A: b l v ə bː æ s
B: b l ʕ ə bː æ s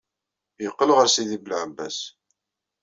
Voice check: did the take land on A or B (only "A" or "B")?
B